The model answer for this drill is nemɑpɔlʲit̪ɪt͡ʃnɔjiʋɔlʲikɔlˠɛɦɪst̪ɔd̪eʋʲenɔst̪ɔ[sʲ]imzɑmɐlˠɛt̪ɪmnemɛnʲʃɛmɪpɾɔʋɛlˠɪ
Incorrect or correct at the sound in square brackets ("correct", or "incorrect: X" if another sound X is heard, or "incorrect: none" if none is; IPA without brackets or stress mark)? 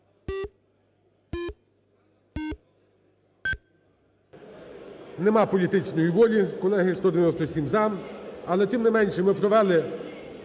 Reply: correct